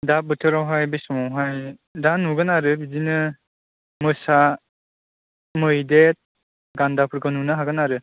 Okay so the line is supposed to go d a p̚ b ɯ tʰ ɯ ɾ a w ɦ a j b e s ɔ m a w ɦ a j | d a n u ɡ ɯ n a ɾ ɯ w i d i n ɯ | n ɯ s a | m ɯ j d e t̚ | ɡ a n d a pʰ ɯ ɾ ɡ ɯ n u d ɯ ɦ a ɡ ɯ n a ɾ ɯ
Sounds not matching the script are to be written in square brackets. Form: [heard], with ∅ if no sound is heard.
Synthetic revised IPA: d a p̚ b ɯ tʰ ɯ ɾ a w ɦ a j b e s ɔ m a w ɦ a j | d a n u ɡ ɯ n a ɾ ɯ [b] i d i n ɯ | [m] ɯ s a | m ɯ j d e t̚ | ɡ a n d a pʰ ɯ ɾ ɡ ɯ n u [n] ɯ ɦ a ɡ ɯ n a ɾ ɯ